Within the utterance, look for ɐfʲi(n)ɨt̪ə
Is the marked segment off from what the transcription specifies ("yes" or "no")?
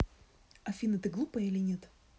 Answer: no